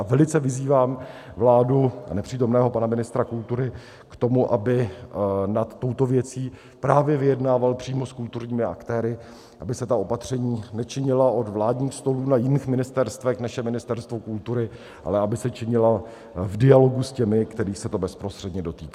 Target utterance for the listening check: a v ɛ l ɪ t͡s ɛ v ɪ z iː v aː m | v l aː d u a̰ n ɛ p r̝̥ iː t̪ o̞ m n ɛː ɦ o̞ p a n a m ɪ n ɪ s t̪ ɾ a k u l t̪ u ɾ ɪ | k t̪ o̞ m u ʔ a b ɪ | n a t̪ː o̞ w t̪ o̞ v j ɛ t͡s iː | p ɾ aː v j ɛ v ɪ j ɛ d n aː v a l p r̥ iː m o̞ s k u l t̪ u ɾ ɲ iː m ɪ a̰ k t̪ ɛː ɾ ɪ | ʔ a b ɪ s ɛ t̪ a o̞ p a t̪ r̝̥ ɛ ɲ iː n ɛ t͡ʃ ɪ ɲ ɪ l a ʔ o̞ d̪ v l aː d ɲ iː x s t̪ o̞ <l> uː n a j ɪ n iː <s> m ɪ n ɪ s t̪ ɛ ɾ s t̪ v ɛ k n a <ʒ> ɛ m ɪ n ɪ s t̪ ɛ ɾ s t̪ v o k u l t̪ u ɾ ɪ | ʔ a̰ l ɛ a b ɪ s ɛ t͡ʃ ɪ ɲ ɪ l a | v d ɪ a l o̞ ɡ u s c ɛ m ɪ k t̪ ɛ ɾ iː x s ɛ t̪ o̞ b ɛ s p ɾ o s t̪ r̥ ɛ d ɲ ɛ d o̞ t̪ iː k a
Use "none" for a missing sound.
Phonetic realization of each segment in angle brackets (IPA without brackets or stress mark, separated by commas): l, x, ʃ